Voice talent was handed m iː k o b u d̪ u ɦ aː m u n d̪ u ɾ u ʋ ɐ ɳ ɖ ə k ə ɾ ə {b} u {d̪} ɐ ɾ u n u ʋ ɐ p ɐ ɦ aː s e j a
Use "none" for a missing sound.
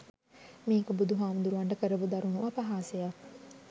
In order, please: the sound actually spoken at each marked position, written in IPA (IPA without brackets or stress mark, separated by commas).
b, d̪